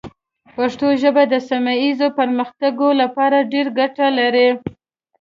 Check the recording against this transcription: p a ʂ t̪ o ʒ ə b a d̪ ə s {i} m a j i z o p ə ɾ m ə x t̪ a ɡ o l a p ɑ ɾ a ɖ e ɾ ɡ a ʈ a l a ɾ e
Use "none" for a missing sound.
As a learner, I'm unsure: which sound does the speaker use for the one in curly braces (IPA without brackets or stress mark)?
a